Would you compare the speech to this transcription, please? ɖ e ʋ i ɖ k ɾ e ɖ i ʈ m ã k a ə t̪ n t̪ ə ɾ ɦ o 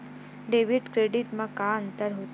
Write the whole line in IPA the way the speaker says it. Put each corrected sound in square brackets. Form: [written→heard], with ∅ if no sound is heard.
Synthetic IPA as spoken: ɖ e ʋ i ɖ k ɾ e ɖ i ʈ m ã k a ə [t̪→∅] n t̪ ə ɾ ɦ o